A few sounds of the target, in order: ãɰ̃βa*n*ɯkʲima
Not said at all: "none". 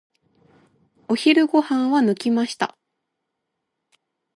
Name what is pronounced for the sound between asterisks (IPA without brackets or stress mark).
n